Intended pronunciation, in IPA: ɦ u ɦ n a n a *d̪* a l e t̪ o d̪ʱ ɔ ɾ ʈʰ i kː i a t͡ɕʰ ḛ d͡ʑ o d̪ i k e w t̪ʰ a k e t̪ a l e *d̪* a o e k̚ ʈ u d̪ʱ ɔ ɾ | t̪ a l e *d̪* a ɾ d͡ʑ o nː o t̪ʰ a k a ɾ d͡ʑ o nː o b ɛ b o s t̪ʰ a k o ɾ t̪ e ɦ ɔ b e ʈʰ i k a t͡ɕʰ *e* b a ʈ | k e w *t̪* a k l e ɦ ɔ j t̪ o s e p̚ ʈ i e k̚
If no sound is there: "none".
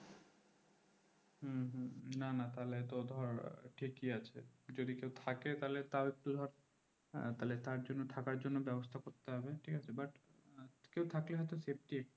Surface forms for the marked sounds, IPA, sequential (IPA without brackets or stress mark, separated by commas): t̪, t̪, t̪, e, t̪ʰ